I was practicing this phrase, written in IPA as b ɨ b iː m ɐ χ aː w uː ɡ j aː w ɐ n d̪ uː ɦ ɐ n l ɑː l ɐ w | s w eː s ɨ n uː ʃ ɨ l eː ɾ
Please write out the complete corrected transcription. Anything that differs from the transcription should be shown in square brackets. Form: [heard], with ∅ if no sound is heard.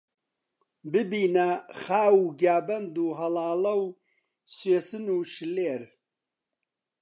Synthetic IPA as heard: b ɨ b iː [n] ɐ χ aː w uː ɡ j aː [b] ɐ n d̪ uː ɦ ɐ [∅] l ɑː l ɐ w | s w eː s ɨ n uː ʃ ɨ l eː ɾ

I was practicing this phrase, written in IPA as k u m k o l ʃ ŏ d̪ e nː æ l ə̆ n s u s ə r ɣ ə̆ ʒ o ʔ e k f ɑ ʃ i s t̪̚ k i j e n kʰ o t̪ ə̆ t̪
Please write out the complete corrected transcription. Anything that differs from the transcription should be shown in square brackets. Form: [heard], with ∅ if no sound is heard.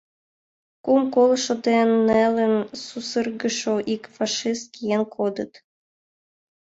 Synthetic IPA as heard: k u m k o l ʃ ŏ d̪ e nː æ l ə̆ n s u s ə r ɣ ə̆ [ʃ] o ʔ [i] k f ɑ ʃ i s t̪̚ k i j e n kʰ o [d̪] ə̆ t̪

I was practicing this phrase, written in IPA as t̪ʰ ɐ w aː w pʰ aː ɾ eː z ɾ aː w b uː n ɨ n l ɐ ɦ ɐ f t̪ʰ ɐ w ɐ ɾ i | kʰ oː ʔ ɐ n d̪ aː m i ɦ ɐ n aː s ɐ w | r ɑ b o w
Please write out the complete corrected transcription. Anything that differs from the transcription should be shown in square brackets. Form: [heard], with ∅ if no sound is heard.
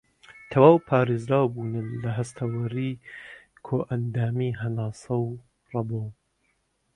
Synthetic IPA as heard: t̪ʰ ɐ w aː w pʰ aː ɾ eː z ɾ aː w b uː n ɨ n l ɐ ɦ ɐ [s] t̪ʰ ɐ w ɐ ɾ i | kʰ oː ʔ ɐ n d̪ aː m i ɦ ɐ n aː s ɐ w | r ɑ b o w

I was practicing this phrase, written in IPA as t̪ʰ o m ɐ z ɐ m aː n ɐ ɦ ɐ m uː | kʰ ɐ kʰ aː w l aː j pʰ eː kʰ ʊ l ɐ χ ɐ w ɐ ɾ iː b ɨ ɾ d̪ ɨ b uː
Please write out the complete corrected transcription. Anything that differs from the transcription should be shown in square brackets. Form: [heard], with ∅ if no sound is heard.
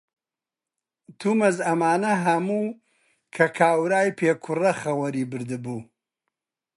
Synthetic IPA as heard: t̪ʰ [u] m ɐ z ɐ m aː n ɐ ɦ ɐ m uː | kʰ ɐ kʰ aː w [ɾ] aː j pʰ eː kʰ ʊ [r] ɐ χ ɐ w ɐ ɾ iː b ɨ ɾ d̪ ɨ b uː

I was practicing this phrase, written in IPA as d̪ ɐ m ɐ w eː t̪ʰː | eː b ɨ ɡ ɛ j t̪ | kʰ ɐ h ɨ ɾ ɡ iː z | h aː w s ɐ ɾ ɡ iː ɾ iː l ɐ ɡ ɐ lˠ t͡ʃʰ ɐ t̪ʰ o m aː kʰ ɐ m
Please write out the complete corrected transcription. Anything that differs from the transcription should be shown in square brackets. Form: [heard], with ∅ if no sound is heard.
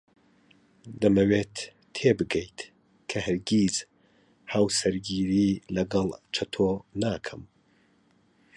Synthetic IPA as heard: d̪ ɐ m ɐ w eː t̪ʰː | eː b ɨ ɡ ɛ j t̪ | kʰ ɐ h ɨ ɾ ɡ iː z | h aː w s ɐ ɾ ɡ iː ɾ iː l ɐ ɡ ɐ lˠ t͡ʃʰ ɐ t̪ʰ o [n] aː kʰ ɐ m

